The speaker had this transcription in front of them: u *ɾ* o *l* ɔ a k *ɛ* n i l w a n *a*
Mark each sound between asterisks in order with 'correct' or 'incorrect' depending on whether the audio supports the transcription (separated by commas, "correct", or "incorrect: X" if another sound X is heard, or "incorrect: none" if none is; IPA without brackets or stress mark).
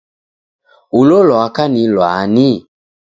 incorrect: l, correct, incorrect: a, incorrect: i